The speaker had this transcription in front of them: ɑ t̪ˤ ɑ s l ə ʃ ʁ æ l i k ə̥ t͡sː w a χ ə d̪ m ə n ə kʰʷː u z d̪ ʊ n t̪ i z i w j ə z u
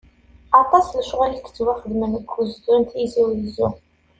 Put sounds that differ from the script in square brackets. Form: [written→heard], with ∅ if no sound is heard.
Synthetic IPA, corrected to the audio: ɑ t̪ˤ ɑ s l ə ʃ ʁ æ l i k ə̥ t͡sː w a χ ə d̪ m ə n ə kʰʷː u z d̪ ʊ n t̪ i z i w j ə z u